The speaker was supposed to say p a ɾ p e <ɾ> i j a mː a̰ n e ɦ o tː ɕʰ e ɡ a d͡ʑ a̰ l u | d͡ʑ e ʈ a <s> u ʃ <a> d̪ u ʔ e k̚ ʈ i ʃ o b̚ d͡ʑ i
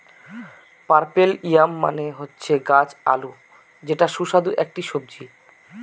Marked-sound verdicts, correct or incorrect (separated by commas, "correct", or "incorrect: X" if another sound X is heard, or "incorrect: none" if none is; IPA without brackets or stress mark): incorrect: l, incorrect: ʃ, correct